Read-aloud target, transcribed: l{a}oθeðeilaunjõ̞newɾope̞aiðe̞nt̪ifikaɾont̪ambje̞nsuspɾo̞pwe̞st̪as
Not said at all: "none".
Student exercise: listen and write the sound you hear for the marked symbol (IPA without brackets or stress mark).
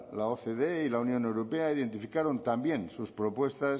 a